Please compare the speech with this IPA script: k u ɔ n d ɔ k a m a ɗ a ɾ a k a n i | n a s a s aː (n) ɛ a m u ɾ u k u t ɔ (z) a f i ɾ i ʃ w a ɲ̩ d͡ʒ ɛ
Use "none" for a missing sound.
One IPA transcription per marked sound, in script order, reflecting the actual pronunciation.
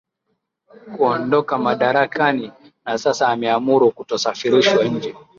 m, s

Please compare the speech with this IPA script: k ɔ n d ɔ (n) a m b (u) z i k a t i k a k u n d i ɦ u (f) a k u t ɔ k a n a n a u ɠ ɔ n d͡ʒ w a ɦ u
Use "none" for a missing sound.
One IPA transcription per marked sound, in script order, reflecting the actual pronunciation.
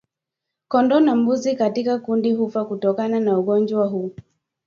n, u, f

